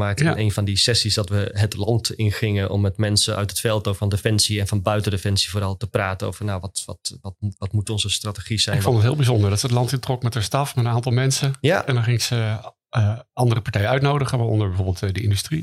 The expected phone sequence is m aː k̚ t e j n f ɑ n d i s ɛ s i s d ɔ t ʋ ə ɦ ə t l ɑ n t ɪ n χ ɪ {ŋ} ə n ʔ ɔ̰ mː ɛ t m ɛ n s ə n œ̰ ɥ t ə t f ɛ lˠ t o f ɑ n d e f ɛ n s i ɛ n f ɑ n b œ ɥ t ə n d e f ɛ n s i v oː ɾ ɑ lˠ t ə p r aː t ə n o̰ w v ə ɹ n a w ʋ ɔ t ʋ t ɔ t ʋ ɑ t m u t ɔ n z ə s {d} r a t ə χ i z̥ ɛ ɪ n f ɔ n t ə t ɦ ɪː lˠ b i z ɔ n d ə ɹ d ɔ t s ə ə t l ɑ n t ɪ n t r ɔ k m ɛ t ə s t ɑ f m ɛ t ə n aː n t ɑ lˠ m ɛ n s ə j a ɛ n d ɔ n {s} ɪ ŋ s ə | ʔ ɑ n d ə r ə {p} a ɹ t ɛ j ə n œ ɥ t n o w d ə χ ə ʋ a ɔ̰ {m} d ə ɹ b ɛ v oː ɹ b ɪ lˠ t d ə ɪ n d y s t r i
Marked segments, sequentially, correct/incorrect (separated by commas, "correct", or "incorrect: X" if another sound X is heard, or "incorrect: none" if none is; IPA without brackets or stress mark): correct, incorrect: t, incorrect: χ, correct, incorrect: n